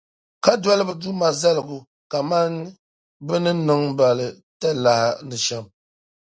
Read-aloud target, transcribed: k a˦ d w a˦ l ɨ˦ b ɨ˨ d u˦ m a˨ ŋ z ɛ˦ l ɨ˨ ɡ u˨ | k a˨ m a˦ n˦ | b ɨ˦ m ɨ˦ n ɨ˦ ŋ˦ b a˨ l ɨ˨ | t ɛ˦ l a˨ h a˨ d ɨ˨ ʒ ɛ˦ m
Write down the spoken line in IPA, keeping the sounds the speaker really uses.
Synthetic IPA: k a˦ d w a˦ l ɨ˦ b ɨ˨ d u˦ m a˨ z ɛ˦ l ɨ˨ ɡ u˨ | k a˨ m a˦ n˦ | b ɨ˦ n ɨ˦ n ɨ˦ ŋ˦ b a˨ l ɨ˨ | t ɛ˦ l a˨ h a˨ n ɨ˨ ʃ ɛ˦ m

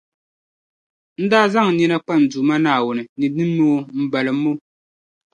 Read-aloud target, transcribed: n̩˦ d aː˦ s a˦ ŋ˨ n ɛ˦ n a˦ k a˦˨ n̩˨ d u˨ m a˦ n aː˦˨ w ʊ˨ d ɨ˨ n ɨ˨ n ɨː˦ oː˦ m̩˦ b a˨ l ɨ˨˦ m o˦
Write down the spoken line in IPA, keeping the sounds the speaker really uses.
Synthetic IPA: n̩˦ d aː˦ z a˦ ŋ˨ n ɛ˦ n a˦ k͡p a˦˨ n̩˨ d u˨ m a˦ n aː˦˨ w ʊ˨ n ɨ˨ n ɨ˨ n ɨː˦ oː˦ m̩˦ b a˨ l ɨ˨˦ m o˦

